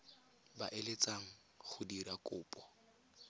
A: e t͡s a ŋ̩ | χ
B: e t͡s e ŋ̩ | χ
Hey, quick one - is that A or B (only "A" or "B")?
A